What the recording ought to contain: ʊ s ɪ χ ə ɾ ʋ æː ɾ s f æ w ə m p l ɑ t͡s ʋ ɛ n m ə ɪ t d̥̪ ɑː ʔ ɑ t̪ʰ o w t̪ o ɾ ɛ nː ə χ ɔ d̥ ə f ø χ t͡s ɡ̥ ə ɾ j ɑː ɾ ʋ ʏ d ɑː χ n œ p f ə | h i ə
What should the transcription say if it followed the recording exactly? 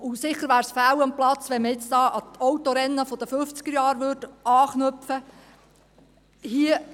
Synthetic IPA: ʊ s ɪ χ ə ɾ ʋ æː ɾ s f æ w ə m p l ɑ t͡s ʋ ɛ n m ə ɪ t͡s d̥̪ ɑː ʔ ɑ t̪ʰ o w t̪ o ɾ ɛ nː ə f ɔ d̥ ə f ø f t͡s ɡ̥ ə ɾ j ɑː ɾ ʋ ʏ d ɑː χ n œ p f ə | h i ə